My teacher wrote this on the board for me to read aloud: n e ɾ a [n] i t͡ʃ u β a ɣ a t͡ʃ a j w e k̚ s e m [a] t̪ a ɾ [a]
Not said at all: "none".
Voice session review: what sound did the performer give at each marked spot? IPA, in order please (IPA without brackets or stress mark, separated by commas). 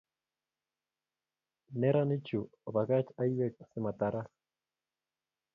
n, a, a